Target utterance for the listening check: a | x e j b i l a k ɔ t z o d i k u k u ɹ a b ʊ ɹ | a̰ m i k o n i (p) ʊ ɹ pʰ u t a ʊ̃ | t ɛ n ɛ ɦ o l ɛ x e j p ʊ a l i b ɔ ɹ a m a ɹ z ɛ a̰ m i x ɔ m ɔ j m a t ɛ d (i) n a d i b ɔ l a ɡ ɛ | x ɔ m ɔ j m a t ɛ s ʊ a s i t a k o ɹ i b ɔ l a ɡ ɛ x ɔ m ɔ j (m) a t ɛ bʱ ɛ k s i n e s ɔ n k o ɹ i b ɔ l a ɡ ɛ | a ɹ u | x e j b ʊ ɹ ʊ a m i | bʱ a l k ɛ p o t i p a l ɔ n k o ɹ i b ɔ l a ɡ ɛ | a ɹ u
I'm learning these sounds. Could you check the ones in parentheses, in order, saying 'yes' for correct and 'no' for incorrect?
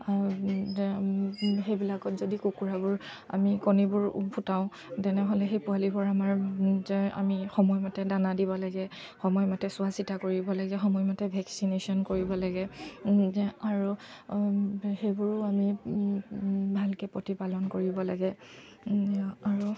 no, no, yes

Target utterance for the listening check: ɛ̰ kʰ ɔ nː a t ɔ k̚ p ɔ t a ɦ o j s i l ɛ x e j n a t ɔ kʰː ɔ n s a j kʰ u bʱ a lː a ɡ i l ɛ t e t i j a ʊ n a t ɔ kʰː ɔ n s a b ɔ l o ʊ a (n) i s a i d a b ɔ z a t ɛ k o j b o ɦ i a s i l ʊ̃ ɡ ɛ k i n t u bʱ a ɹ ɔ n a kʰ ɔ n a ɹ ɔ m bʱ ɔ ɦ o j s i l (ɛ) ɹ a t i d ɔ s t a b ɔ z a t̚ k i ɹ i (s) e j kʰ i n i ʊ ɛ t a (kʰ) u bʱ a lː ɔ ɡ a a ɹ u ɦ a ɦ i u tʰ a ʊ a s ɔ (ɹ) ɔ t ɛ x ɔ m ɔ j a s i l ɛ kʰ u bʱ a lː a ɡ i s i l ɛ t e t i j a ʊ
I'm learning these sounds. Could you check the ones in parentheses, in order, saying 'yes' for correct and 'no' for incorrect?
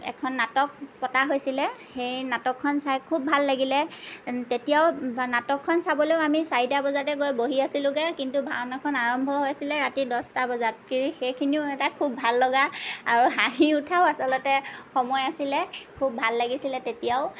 no, yes, no, yes, no

